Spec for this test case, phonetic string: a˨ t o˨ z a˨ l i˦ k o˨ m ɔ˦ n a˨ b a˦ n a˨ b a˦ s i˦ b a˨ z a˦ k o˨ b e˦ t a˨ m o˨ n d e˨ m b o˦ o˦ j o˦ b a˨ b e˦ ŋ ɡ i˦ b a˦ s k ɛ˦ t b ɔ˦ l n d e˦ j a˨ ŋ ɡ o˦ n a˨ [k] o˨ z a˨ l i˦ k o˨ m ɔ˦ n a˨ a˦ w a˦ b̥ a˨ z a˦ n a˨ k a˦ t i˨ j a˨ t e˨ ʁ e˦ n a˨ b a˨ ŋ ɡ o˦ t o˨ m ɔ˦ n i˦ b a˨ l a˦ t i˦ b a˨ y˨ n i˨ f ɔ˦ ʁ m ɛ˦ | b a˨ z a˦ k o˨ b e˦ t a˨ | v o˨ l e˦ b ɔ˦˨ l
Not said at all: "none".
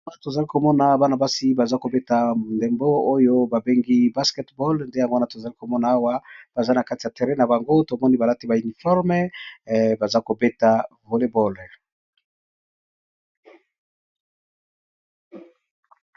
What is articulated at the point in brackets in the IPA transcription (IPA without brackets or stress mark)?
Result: t